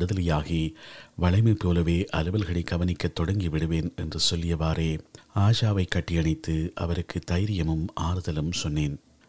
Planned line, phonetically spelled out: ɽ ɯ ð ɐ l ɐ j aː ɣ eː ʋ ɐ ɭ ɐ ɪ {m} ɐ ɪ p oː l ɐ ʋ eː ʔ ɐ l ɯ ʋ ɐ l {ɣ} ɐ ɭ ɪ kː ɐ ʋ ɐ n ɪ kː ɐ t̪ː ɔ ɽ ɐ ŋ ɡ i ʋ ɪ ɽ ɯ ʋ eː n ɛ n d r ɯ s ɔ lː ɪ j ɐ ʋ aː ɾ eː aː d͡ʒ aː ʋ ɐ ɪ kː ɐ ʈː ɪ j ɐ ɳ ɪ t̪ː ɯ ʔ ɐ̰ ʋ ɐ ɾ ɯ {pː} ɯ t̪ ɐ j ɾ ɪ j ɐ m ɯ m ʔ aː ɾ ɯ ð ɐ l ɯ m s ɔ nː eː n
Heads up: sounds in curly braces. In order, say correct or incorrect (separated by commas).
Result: correct, correct, incorrect